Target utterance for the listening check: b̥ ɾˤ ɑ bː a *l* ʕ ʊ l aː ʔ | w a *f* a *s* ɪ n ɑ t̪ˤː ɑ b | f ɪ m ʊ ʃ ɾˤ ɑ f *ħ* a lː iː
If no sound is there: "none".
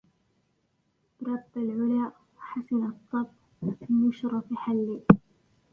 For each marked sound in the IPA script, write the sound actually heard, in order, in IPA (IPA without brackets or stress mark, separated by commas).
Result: l, ħ, s, ħ